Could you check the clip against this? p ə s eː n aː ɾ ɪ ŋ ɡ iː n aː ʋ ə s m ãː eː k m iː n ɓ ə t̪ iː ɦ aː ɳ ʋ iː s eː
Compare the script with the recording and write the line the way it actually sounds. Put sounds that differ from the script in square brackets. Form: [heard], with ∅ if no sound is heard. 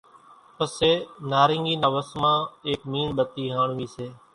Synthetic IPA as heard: p ə s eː n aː ɾ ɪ ŋ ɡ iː n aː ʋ ə s m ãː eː k m iː n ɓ ə t̪ iː ɦ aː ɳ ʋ iː s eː